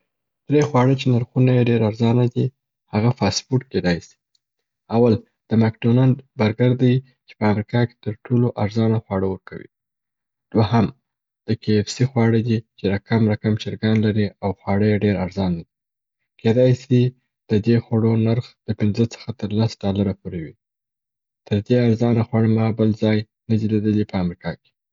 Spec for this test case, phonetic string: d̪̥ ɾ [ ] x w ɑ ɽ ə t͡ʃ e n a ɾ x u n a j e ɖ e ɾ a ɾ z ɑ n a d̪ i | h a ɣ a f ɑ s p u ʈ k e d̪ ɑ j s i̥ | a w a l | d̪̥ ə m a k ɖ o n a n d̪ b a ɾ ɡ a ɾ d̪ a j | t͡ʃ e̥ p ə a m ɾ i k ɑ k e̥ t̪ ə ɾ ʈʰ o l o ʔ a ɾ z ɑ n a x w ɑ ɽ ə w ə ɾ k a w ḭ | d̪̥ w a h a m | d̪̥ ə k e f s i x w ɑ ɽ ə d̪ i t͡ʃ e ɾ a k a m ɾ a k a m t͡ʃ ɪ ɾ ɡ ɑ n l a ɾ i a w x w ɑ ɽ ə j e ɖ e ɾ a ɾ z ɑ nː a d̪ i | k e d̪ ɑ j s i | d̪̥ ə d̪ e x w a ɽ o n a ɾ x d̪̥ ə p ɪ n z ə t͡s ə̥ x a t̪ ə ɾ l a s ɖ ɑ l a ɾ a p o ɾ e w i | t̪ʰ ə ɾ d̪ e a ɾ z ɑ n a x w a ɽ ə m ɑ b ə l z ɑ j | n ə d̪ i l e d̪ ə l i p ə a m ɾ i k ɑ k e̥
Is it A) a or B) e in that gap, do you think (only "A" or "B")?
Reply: B